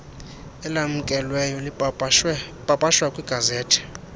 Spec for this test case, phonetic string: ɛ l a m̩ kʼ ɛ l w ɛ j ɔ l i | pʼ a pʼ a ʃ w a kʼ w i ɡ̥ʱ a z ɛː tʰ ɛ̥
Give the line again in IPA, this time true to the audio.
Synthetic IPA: ɛ l a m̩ kʼ ɛ l w ɛ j ɔ l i | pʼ a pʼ a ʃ w a kʼ w i ɡ̥ʱ a z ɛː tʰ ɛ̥